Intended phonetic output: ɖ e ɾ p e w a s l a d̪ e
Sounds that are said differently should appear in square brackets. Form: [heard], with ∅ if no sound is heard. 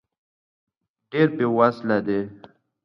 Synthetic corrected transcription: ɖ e ɾ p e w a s l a d̪ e